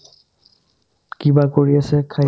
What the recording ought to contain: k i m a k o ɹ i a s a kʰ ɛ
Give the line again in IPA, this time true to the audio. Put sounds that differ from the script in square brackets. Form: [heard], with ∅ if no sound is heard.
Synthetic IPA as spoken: k i [b] a k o ɹ i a s [ɛ] kʰ [a]